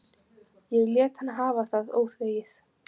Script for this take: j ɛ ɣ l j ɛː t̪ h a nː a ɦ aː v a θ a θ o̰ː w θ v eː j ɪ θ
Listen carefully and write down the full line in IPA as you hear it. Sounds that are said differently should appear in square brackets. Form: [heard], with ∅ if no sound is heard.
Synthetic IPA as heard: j ɛ ɣ l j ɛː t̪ h a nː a ɦ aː v a θ a [ð] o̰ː w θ v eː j ɪ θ